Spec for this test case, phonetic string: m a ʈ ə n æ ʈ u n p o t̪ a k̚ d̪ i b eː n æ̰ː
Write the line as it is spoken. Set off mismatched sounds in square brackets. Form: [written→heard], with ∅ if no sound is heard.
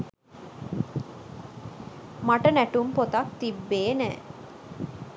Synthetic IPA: m a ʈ ə n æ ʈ u [n→m] p o t̪ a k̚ [d̪→t̪] i [b→bː] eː n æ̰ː

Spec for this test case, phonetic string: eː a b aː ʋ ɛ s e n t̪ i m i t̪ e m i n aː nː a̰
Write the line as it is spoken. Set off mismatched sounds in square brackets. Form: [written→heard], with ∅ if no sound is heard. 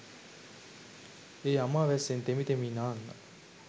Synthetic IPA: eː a [b→m] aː ʋ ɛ s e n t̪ [i→e] m i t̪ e m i n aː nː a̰

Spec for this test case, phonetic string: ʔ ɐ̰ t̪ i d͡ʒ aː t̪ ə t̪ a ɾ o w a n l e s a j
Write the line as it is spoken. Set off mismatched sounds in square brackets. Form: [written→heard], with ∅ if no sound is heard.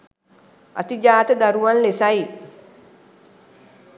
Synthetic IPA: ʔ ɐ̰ t̪ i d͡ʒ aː t̪ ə [t̪→d̪] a ɾ [o→u] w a n l e s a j

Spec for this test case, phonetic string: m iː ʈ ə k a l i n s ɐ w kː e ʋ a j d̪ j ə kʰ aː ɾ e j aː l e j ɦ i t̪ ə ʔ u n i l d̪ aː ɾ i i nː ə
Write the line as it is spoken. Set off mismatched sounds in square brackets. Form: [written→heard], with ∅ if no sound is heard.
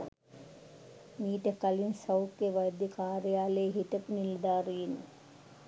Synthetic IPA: m iː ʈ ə k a l i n s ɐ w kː e ʋ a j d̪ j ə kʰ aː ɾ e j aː l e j ɦ i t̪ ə [ʔ→p] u n i l d̪ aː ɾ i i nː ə

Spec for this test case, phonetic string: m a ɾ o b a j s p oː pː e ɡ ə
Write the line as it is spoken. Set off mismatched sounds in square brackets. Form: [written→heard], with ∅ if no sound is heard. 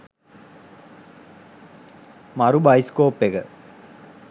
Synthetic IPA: m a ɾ [o→u] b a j s [p→k] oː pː e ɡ ə

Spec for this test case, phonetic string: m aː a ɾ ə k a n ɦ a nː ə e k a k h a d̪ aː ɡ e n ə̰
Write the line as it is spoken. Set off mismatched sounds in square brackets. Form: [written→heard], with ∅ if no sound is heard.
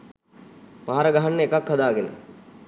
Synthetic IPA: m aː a ɾ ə [k→ɡ] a [n→∅] ɦ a nː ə e k a k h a d̪ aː ɡ e n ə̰

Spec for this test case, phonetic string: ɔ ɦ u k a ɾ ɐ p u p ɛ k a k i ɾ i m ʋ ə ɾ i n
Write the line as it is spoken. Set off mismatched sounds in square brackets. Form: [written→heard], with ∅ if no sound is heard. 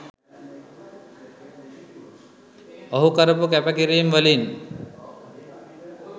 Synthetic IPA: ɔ ɦ u k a ɾ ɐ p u [p→k] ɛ [k→p] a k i ɾ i m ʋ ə [ɾ→l] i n

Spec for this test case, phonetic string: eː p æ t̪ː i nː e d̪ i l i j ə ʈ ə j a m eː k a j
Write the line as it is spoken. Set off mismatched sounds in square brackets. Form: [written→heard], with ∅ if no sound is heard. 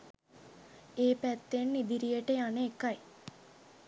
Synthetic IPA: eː p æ t̪ː [i→e] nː [e→i] d̪ i [l→ɾ] i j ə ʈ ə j a [m→n] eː k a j

